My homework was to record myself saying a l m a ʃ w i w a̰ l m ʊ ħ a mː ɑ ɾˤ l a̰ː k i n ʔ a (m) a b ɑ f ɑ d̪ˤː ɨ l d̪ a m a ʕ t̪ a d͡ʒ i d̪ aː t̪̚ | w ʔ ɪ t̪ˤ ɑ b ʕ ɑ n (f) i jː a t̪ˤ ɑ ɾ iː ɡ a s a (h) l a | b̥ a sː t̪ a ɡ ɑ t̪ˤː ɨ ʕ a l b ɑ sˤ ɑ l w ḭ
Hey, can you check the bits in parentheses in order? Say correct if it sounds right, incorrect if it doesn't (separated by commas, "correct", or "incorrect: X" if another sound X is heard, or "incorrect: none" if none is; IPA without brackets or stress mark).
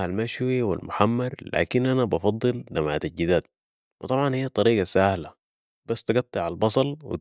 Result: incorrect: n, incorrect: h, correct